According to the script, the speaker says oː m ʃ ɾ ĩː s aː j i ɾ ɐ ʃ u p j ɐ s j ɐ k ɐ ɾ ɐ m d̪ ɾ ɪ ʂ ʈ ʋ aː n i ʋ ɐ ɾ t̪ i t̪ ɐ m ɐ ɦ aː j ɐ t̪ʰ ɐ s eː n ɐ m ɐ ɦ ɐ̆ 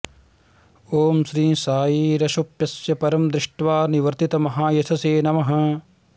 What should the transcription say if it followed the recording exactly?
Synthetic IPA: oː m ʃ ɾ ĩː s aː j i ɾ ɐ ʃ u p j ɐ s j ɐ p ɐ ɾ ɐ m d̪ ɾ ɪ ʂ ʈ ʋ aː n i ʋ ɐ ɾ t̪ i t̪ ɐ m ɐ ɦ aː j ɐ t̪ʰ ɐ s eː n ɐ m ɐ ɦ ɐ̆